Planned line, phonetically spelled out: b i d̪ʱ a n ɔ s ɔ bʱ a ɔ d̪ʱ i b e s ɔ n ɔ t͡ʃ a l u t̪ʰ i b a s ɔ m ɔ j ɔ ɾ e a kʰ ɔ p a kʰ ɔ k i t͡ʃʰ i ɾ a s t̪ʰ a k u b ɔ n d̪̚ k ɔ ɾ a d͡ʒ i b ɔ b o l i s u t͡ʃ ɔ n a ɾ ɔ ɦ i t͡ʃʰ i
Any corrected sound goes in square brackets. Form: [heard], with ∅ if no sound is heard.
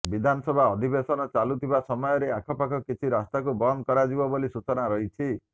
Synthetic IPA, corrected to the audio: b i d̪ʱ a n ɔ s ɔ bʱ a ɔ d̪ʱ i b e s ɔ n ɔ t͡ʃ a l u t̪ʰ i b a s ɔ m ɔ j ɔ ɾ e a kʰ ɔ p a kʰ ɔ k i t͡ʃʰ i ɾ a s [t̪] a k u b ɔ n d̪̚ k ɔ ɾ a d͡ʒ i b ɔ b o l i s u t͡ʃ ɔ n a ɾ ɔ ɦ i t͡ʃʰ i